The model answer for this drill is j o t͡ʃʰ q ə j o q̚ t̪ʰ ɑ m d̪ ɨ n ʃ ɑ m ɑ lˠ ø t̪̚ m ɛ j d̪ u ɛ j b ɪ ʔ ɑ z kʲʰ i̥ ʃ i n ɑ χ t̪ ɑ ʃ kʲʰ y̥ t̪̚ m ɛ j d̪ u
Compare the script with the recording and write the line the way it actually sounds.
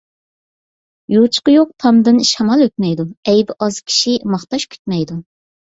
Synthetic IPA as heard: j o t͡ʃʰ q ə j o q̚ t̪ʰ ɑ m d̪ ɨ n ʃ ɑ m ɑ lˠ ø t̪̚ m ɛ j d̪ u ɛ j b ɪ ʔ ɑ z kʲʰ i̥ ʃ i m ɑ χ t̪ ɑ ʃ kʲʰ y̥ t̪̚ m ɛ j d̪ u